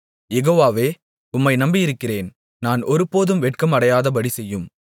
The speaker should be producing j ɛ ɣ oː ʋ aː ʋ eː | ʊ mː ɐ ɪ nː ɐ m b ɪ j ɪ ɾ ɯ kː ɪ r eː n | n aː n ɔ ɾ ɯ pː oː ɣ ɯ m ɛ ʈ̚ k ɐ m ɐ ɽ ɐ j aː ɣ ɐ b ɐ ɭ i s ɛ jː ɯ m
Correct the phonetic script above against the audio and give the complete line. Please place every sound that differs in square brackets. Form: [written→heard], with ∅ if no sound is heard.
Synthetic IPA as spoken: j ɛ ɣ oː ʋ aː ʋ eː | ʊ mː ɐ ɪ [nː→n] ɐ m b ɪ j ɪ ɾ ɯ kː ɪ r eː n | n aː n ɔ ɾ ɯ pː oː [ɣ→ð] ɯ m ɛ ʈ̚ k ɐ m ɐ ɽ ɐ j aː [ɣ→ð] ɐ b ɐ [ɭ→ɽ] i s ɛ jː ɯ m